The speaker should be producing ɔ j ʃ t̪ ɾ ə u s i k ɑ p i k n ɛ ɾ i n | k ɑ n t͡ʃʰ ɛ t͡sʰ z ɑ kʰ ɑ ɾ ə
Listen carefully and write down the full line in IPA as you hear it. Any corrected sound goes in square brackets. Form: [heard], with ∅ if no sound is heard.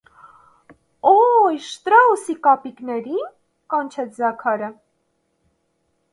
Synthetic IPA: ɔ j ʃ t̪ ɾ [ɑ] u s i k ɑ p i k n ɛ ɾ i n | k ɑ n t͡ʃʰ ɛ t͡sʰ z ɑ kʰ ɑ ɾ ə